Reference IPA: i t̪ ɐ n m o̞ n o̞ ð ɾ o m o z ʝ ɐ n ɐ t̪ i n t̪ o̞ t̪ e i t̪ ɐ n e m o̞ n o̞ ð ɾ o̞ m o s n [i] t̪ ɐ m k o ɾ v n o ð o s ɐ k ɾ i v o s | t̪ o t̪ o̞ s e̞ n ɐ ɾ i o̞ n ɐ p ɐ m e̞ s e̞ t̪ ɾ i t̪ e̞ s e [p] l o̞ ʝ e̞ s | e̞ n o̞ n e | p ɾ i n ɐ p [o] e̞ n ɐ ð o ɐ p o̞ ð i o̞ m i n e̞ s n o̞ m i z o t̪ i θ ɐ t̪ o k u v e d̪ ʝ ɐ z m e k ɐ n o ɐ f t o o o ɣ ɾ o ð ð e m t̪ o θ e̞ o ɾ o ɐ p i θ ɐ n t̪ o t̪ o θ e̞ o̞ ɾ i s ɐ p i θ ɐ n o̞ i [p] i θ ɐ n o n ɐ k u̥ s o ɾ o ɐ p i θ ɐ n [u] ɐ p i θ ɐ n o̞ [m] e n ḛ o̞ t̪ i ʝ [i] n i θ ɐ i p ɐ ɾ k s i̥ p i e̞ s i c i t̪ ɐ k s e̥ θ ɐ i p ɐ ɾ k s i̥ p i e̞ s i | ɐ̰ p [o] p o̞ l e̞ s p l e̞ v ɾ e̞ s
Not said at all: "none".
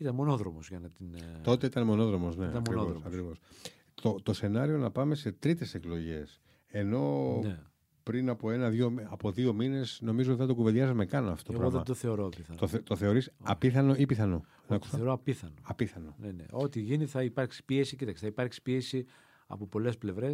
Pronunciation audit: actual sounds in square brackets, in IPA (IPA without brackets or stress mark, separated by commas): e, k, o, p, o, n, i, o